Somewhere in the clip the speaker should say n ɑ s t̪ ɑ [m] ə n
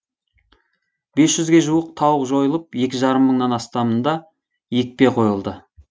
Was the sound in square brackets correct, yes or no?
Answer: yes